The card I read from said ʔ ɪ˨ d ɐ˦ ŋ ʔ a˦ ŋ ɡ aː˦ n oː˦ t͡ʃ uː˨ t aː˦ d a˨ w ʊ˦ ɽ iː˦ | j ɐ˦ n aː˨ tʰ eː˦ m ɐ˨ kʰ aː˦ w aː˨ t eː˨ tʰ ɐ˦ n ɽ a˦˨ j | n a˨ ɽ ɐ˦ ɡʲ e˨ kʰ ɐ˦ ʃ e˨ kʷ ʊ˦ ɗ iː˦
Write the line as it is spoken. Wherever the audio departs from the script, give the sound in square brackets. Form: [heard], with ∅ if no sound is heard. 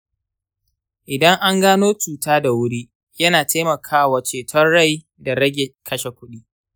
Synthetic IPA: ʔ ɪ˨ d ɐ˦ ŋ ʔ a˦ ŋ ɡ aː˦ n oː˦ t͡ʃ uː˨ t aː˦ d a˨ w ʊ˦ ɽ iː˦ | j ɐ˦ n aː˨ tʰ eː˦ m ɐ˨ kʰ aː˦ w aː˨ [t͡ʃ] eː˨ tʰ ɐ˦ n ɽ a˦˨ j | [d] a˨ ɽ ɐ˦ ɡʲ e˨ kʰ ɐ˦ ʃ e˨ kʷ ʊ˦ ɗ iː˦